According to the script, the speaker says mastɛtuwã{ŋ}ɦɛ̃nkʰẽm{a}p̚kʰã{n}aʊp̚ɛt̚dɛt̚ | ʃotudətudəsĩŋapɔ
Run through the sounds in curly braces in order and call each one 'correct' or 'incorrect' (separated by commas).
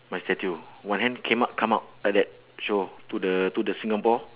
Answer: incorrect, correct, incorrect